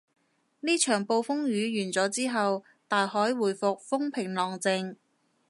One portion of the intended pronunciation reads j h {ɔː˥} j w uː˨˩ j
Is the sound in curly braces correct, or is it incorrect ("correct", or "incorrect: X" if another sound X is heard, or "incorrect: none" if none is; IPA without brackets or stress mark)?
incorrect: ɔː˨˥